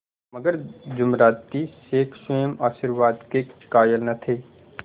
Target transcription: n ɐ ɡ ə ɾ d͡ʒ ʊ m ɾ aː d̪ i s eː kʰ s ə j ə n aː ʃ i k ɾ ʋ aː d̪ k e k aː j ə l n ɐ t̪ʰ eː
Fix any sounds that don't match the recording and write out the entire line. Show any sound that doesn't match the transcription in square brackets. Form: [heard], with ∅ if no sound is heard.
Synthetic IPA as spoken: [m] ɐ ɡ ə ɾ d͡ʒ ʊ m ɾ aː [t̪] i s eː kʰ s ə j ə [m] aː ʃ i [∅] ɾ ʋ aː d̪ k e k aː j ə l n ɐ t̪ʰ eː